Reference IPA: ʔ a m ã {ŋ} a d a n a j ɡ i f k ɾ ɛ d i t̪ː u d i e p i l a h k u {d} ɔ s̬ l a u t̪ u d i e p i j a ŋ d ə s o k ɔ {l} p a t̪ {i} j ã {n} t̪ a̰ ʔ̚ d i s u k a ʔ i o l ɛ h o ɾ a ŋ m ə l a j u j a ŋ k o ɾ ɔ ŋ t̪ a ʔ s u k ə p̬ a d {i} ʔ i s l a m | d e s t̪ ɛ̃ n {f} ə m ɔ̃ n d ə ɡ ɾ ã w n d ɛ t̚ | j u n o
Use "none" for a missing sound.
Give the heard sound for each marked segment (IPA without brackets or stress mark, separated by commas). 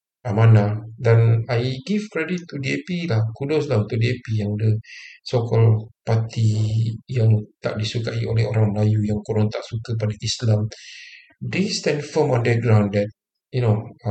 n, d, l, i, ŋ, a, f